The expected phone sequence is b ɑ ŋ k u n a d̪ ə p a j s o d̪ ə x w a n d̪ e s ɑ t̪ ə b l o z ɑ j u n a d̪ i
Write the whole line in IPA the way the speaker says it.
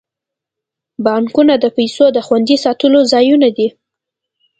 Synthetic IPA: b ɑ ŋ k u n a d̪ ə p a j s o d̪ ə x w a n d̪ i s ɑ t̪ ə l o z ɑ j u n a d̪ i